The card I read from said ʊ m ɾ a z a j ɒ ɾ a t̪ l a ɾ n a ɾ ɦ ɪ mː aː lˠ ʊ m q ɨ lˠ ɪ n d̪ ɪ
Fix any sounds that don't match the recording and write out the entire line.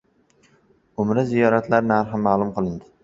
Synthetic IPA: ʊ m ɾ a z i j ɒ ɾ a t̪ l a ɾ n a ɾ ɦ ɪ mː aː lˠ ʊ m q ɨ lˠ ɪ n d̪ ɪ